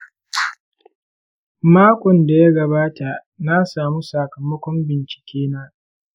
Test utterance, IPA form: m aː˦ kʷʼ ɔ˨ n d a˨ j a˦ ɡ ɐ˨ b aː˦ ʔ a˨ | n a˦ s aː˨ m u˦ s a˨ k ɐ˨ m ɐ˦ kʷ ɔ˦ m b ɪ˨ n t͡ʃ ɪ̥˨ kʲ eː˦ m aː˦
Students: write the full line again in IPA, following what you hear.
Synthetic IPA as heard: m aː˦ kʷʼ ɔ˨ n d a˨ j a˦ ɡ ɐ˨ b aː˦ t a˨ | n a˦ s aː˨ m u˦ s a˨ k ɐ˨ m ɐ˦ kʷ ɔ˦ m b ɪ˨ n t͡ʃ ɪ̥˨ kʲ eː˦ n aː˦